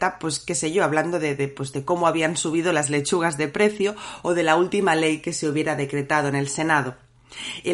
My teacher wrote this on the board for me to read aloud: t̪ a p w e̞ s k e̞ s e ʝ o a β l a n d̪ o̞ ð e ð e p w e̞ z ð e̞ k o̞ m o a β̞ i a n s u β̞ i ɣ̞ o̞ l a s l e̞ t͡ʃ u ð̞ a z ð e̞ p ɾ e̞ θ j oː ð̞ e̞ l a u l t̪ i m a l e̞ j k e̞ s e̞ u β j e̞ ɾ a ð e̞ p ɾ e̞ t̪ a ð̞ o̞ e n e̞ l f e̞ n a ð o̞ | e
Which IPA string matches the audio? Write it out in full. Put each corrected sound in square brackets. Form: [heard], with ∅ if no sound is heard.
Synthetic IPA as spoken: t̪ a p w e̞ s k e̞ s e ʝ o a β l a n d̪ o̞ ð e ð e p w e̞ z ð e̞ k o̞ m o a β̞ i a n s u β̞ i [ð̞] o̞ l a [z] l e̞ t͡ʃ u [ɣ̞] a z ð e̞ p ɾ e̞ θ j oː ð̞ e̞ l a u l t̪ i m a l e̞ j k e̞ s e̞ u β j e̞ ɾ a ð e̞ [k] ɾ e̞ t̪ a ð̞ o̞ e n e̞ l [s] e̞ n a ð o̞ | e